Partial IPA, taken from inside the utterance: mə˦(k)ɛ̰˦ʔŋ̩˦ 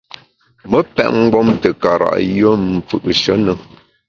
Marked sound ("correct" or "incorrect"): incorrect